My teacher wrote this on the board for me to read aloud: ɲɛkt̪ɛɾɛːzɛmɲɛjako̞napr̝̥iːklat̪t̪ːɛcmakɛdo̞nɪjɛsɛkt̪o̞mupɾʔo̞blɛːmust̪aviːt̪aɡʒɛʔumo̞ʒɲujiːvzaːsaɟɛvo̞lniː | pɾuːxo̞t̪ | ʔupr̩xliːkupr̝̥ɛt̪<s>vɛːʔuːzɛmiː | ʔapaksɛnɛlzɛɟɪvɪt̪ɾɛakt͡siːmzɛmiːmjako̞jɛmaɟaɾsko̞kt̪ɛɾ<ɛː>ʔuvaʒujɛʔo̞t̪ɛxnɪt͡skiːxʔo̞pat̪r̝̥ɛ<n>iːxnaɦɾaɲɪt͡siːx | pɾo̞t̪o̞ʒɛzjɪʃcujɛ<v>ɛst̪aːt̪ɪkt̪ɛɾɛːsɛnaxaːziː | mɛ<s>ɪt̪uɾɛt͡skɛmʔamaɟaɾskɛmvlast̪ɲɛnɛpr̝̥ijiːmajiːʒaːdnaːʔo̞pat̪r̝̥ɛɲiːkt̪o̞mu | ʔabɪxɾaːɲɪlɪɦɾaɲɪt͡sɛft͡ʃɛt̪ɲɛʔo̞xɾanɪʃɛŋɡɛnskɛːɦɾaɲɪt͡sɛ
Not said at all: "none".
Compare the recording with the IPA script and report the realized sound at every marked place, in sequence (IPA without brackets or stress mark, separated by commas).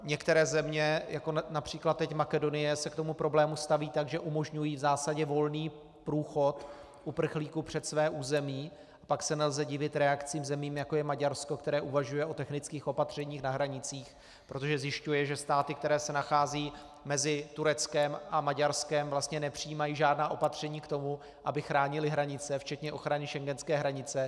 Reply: s, ɛː, ɲ, ʒ, z